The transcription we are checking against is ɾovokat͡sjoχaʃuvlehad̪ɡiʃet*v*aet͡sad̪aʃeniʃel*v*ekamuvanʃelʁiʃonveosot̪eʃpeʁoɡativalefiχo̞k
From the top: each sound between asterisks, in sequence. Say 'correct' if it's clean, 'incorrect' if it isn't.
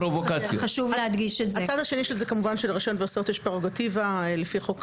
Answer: incorrect: z, incorrect: z

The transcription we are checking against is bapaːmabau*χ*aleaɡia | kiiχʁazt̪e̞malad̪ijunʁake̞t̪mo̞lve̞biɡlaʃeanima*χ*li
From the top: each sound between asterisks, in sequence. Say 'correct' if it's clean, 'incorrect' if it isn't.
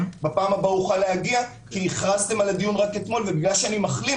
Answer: correct, correct

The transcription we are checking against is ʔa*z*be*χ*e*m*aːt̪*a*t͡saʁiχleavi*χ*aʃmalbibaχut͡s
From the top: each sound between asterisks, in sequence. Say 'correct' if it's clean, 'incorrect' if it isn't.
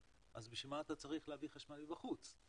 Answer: correct, incorrect: ʃ, correct, correct, correct

